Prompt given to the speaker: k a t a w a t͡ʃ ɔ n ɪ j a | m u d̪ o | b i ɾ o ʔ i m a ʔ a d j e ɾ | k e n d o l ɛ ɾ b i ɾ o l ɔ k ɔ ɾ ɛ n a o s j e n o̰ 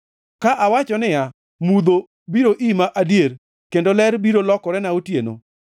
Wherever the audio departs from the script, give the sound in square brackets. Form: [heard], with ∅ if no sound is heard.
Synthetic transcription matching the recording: k a [ʔ] a w a t͡ʃ ɔ n ɪ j a | m u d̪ o | b i ɾ o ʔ i m a ʔ a d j e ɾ | k e n d o l ɛ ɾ b i ɾ o l ɔ k ɔ ɾ ɛ n a o [t] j e n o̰